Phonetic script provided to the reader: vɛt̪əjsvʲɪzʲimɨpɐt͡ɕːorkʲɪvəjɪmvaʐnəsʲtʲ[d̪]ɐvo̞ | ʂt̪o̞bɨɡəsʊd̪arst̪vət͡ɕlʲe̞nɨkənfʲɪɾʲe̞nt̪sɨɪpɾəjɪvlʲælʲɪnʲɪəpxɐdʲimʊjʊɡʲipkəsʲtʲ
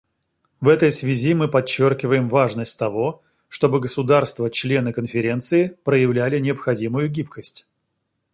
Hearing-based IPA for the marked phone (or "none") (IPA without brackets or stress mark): t̪